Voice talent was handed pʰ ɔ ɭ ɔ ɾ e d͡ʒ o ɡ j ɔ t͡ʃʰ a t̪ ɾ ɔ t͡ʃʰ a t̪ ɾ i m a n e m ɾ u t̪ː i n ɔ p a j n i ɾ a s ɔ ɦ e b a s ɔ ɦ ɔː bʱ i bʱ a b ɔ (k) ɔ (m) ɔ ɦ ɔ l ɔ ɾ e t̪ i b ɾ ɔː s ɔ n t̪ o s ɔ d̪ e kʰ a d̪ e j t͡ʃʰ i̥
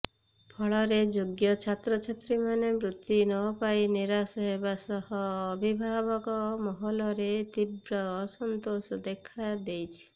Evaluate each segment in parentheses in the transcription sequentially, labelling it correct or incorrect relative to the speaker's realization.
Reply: correct, correct

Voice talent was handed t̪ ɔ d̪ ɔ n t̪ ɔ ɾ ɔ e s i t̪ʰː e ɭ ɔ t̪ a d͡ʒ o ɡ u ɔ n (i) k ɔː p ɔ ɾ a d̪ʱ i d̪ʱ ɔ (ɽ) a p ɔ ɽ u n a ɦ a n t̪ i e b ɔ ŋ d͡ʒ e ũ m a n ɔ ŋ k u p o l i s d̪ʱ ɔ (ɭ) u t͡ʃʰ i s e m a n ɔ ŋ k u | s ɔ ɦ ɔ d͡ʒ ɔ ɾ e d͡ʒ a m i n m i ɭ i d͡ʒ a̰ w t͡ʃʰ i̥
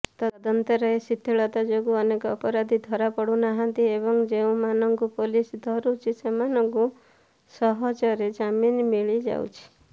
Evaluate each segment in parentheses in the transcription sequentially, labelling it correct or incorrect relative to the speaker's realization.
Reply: incorrect, incorrect, incorrect

